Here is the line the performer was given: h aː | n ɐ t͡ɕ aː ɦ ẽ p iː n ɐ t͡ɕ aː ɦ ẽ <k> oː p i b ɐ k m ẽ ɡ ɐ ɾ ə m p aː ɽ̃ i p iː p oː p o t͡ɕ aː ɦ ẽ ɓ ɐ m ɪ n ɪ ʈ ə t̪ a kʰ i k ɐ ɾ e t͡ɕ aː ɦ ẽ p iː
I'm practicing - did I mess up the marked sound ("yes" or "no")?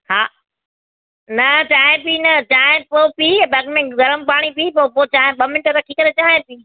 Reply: yes